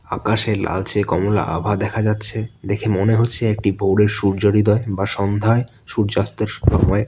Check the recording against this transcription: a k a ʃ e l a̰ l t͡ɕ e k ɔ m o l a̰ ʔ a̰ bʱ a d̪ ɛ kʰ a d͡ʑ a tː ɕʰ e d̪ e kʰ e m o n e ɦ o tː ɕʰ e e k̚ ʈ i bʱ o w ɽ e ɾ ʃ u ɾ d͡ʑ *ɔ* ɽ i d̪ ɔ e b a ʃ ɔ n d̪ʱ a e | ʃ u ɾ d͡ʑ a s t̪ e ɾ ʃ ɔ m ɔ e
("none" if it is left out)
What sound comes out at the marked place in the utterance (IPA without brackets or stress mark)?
o